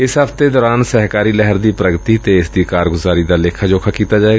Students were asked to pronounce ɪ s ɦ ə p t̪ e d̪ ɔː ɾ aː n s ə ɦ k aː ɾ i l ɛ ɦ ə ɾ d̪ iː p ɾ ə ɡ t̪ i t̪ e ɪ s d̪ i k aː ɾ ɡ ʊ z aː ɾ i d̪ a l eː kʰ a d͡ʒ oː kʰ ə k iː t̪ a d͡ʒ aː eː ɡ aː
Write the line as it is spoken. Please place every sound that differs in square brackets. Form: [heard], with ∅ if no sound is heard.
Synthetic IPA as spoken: ɪ s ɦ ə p t̪ e d̪ ɔː ɾ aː n s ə ɦ k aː ɾ i l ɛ ɦ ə ɾ d̪ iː p ɾ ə ɡ t̪ i t̪ e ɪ s d̪ i k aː ɾ ɡ ʊ z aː ɾ i d̪ a l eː kʰ a d͡ʒ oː kʰ [a] k iː t̪ a d͡ʒ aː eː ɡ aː